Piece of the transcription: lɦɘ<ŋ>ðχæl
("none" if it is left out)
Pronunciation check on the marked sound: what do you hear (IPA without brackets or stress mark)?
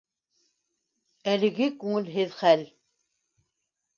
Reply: none